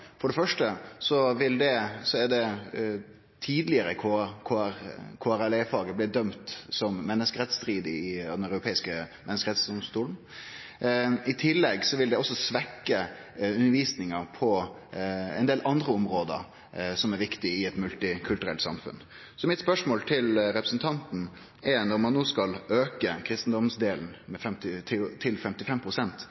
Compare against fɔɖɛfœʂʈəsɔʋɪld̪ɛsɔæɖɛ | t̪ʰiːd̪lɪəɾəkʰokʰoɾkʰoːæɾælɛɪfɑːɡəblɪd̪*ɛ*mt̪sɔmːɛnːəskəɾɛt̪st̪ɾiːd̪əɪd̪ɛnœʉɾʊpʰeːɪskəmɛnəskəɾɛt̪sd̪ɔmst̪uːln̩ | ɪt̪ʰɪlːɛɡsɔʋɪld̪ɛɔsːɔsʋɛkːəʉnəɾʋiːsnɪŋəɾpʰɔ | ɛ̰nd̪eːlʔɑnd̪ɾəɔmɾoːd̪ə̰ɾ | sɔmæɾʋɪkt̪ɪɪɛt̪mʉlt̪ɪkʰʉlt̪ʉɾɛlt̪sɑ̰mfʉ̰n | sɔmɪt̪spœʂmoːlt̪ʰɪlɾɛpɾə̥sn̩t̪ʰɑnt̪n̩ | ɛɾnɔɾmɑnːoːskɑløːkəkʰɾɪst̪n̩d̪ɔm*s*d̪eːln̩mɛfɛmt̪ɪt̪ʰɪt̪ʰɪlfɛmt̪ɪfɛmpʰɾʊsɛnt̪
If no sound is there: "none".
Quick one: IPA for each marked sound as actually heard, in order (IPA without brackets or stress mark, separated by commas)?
œ, s